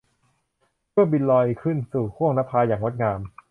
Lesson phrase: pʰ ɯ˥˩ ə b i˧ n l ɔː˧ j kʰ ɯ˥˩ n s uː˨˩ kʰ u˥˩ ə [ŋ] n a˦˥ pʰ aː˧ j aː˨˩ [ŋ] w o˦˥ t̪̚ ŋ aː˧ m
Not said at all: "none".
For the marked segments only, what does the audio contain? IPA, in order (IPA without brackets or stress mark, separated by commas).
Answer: ŋ, ŋ